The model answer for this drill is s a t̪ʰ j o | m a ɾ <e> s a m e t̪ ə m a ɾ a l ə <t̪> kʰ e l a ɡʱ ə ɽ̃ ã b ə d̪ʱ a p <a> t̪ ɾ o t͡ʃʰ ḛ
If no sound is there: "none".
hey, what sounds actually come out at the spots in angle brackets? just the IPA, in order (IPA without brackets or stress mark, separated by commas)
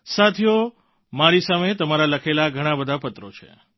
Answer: i, none, ə